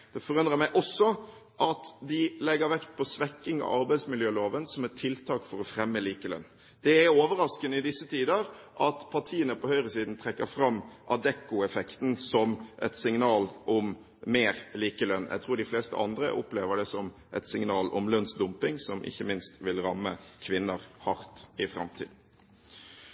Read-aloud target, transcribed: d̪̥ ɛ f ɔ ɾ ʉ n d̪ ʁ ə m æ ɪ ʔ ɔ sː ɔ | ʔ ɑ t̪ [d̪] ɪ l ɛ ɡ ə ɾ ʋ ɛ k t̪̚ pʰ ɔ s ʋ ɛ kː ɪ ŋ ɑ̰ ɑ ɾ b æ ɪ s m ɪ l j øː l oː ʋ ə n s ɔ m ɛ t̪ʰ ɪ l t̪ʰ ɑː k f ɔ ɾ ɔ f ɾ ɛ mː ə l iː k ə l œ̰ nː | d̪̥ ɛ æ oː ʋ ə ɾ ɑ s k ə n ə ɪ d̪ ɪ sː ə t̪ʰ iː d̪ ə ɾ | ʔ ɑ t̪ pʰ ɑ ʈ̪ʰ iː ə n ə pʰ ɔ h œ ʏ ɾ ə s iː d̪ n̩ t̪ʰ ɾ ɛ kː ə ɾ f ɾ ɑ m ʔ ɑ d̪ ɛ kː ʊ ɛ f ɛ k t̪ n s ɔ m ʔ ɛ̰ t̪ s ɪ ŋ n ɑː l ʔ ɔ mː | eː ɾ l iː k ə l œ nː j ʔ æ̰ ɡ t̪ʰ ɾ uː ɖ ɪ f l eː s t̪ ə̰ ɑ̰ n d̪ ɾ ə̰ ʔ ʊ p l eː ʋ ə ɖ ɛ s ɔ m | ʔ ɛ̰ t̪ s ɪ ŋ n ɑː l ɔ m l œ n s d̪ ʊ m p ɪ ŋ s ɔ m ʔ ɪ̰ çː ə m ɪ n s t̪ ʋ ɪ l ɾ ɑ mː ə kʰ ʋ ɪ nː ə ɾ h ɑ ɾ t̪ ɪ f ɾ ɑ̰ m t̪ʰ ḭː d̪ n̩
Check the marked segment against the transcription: correct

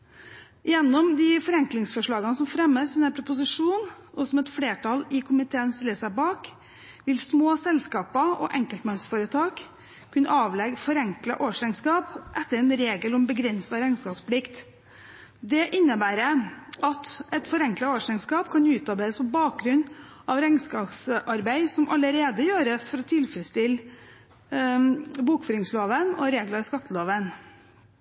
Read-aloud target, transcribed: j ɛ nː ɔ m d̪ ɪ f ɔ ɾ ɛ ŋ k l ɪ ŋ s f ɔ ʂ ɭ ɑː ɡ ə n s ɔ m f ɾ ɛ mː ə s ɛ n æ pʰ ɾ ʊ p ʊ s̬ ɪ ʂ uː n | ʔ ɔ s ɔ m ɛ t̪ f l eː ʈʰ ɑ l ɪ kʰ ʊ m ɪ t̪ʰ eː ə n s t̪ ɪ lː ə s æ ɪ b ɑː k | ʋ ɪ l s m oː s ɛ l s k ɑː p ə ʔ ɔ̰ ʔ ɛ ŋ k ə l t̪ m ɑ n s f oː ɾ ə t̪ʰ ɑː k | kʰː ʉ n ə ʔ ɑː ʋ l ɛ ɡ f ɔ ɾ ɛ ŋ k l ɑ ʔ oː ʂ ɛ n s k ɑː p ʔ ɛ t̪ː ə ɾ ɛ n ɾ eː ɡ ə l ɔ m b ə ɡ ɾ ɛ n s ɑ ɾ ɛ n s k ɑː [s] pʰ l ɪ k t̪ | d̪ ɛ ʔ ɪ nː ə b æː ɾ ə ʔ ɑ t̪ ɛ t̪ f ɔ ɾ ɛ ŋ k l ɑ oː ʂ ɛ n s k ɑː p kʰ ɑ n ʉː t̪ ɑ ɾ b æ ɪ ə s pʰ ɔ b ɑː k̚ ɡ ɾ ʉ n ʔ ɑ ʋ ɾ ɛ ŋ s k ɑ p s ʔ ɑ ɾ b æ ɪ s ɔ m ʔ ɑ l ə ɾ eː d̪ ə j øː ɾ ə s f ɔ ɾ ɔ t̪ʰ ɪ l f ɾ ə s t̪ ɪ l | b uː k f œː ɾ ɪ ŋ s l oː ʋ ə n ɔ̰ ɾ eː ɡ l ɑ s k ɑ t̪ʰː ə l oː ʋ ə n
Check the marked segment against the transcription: correct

